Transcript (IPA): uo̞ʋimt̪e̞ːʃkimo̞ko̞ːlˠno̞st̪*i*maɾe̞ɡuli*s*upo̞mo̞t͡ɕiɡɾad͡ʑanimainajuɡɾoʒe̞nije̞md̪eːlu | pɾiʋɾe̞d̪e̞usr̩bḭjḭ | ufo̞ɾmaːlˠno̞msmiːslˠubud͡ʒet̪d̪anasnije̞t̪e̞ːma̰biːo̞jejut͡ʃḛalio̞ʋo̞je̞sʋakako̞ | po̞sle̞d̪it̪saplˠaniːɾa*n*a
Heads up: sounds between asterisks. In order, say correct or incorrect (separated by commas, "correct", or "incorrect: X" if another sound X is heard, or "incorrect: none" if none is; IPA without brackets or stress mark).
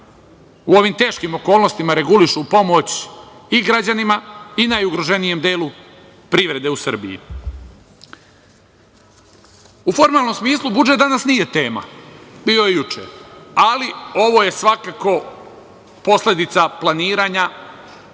correct, incorrect: ʃ, incorrect: ɲ